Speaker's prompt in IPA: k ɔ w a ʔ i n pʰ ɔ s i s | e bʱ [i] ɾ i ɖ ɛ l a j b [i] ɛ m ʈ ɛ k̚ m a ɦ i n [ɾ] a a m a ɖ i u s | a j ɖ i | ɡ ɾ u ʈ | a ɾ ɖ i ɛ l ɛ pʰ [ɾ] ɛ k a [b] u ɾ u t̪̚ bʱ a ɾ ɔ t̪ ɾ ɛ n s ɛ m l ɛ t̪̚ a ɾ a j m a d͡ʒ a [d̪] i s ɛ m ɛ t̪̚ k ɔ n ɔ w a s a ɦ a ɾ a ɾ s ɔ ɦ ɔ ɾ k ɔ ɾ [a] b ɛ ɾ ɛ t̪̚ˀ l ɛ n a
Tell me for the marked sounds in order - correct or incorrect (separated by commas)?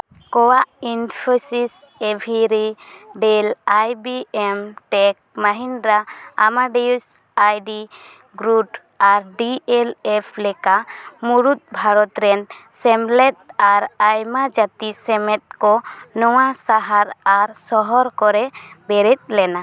correct, correct, correct, incorrect, incorrect, incorrect, incorrect